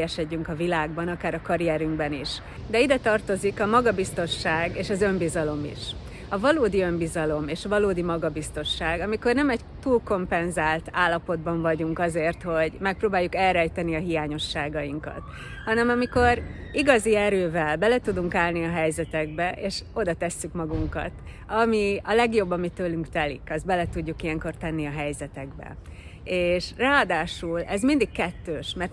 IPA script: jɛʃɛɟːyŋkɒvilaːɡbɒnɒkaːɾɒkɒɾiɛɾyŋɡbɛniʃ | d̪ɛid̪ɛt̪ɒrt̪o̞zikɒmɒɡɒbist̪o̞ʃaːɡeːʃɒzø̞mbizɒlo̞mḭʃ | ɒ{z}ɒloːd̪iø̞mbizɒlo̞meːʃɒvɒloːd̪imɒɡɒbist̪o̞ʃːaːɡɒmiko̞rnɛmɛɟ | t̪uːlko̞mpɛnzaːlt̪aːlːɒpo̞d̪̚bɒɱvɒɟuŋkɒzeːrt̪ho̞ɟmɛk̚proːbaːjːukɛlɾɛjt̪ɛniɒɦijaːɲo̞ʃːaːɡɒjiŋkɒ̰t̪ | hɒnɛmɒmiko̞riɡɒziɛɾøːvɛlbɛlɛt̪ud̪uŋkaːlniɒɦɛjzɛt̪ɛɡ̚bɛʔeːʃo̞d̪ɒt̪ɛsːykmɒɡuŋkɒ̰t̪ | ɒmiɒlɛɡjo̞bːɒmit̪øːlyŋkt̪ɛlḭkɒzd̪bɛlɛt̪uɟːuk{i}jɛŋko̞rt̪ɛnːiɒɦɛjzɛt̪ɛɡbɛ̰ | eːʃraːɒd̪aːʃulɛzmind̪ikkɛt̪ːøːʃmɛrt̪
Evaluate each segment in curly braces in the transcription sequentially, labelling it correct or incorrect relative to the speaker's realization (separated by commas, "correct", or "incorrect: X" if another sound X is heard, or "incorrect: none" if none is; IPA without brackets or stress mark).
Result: incorrect: v, correct